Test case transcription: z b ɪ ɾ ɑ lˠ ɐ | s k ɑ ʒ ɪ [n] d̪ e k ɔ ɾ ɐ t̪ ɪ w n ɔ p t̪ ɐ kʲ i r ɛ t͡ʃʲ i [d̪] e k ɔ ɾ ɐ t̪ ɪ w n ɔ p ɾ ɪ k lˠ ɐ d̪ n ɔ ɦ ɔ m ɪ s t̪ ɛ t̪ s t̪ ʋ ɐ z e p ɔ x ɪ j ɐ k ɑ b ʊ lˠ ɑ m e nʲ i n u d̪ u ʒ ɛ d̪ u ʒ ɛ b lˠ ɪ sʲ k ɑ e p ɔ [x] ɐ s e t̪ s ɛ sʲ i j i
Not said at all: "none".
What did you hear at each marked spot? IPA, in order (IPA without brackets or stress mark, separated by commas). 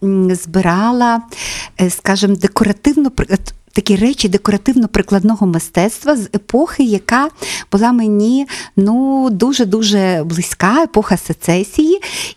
m, d̪, x